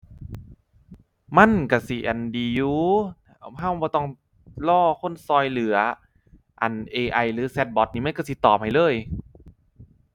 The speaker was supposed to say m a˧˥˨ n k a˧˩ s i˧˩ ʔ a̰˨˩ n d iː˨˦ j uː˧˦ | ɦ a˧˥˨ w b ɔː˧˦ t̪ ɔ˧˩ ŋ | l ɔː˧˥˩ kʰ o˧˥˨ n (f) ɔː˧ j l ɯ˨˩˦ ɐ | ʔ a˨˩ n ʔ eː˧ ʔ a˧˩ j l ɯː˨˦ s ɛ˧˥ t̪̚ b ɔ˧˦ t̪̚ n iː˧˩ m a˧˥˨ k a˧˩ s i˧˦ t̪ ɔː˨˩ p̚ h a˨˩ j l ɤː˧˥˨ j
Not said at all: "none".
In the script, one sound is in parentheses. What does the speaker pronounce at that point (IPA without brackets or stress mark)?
s